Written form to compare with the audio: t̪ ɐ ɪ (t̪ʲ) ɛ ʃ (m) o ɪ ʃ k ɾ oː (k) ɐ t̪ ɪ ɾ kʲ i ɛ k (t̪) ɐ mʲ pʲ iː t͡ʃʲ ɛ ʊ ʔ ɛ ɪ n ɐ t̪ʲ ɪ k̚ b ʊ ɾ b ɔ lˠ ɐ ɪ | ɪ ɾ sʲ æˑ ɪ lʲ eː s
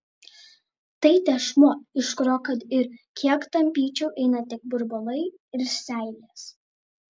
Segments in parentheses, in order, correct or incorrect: correct, correct, correct, correct

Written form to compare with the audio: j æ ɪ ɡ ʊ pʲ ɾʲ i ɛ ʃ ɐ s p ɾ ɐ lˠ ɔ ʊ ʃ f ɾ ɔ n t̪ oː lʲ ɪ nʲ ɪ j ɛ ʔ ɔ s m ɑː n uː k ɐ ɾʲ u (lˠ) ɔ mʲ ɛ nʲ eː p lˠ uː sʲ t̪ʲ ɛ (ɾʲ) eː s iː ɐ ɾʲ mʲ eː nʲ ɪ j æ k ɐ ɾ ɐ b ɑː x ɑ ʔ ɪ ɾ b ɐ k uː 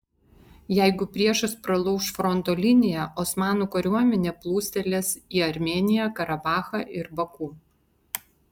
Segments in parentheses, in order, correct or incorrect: incorrect: none, incorrect: lʲ

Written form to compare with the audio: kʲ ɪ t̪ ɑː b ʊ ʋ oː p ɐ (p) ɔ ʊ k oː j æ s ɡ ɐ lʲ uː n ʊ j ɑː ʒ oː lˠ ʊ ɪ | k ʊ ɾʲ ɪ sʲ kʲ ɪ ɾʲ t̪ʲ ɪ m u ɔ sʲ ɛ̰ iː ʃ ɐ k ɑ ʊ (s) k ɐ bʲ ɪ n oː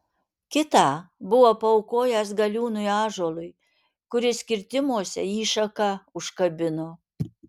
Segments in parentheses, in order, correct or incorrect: incorrect: none, incorrect: ʃ

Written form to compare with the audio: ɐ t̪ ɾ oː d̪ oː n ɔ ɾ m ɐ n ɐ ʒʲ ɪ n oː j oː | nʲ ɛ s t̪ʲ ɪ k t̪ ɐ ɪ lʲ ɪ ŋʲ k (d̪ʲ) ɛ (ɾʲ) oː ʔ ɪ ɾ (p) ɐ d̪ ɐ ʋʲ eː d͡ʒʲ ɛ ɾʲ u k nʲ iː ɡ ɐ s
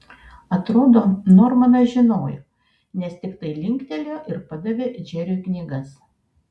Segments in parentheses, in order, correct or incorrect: incorrect: t̪ʲ, incorrect: lʲ, correct

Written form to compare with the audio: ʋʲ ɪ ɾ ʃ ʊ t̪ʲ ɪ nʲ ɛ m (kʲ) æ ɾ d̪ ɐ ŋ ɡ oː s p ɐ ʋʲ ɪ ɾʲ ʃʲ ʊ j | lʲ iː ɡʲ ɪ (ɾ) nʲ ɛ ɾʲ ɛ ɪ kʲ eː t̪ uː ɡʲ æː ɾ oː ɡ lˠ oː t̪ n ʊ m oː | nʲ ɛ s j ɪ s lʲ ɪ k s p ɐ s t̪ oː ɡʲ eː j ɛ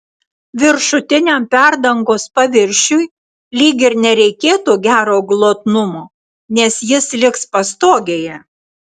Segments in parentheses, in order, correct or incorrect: incorrect: pʲ, correct

